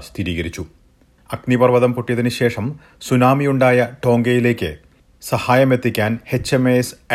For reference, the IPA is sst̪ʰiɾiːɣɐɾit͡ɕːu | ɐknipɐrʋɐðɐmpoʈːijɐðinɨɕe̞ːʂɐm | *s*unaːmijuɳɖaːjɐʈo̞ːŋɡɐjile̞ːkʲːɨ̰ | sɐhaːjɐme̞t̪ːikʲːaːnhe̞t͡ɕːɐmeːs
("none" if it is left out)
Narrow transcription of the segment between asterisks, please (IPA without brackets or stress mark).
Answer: s